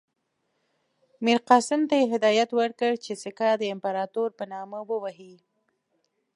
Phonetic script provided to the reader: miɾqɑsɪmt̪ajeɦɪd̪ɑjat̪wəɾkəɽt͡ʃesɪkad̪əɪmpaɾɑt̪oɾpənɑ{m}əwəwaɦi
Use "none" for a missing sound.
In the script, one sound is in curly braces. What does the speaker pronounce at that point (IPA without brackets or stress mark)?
m